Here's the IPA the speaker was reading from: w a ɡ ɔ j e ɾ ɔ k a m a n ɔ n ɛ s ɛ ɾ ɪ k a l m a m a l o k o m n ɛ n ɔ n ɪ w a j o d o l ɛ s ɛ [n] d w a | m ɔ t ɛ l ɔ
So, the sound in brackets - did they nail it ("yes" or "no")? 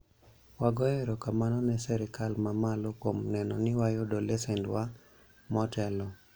yes